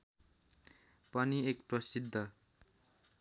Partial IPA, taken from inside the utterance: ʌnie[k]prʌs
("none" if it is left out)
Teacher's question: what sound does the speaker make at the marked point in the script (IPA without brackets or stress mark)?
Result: k